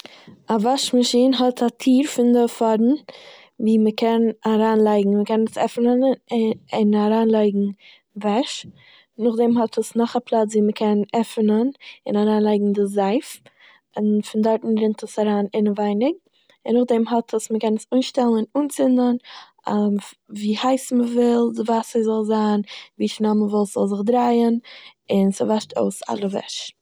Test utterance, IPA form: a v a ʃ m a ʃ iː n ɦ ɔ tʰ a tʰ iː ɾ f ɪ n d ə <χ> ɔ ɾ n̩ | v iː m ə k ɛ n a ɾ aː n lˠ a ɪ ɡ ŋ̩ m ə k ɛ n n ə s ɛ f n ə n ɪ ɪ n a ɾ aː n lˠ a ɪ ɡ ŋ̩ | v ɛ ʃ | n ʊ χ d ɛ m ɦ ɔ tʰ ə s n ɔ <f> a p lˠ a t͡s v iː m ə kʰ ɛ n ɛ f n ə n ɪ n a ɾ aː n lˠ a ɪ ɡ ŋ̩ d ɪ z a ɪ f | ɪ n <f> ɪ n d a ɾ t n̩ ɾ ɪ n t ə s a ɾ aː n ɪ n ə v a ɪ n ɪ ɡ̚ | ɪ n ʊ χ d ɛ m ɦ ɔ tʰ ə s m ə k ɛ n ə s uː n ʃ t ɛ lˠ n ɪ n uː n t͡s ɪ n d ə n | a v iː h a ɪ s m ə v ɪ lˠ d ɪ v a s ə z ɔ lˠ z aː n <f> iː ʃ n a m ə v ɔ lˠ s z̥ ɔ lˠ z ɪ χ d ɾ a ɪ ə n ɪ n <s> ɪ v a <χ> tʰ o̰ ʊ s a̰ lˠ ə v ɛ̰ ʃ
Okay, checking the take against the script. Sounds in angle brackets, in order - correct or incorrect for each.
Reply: incorrect: f, incorrect: χ, correct, incorrect: v, correct, incorrect: ʃ

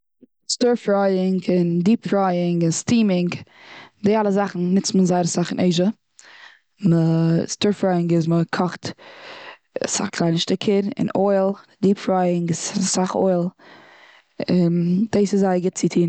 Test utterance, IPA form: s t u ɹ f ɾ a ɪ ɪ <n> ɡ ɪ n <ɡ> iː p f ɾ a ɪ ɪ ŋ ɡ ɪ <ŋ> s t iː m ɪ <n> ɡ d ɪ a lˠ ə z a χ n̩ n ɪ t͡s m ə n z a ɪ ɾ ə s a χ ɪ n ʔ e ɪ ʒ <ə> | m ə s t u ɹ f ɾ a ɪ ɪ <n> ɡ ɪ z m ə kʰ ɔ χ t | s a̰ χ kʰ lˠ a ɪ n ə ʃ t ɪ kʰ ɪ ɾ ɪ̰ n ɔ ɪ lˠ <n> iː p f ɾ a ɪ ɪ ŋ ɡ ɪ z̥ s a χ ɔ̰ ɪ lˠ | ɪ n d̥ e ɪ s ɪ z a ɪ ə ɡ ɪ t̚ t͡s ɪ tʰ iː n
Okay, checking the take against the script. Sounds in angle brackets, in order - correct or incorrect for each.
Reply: incorrect: ŋ, incorrect: d, incorrect: n, incorrect: ŋ, correct, incorrect: ŋ, incorrect: d

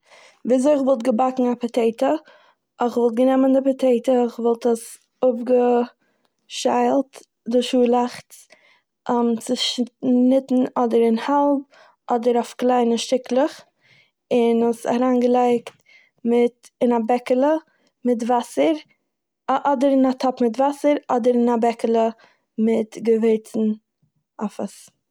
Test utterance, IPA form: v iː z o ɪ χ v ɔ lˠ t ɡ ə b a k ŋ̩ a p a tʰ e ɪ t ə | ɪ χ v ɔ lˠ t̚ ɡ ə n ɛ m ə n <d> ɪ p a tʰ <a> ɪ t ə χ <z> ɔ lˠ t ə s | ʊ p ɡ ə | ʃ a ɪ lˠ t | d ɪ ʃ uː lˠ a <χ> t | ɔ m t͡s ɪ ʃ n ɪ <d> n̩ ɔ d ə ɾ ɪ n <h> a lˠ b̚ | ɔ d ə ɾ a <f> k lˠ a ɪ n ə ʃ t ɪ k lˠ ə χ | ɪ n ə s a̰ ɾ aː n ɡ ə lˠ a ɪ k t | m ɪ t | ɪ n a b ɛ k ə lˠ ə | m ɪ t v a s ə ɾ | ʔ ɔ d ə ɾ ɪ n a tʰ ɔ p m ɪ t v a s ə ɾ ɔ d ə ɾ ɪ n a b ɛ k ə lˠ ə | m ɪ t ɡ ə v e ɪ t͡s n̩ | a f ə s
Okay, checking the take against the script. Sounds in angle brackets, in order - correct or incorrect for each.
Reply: correct, incorrect: e, incorrect: v, correct, incorrect: t, correct, correct

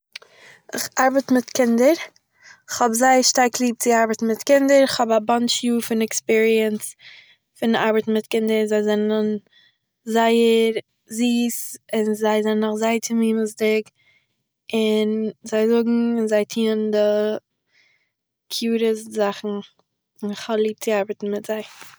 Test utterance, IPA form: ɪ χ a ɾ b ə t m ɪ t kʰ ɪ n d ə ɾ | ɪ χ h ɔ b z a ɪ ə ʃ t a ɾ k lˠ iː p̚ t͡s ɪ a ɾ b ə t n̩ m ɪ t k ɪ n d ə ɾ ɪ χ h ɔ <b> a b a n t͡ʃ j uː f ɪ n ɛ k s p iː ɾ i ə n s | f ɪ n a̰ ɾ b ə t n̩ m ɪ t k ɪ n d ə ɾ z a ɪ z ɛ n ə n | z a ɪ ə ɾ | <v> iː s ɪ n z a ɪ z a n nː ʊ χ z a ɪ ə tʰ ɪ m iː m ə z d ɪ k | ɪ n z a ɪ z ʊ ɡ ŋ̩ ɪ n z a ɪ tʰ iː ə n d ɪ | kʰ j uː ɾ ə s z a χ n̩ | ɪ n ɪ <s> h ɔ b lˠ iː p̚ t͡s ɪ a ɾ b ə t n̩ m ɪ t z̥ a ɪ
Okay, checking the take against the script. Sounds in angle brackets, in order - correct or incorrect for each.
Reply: correct, incorrect: z, incorrect: χ

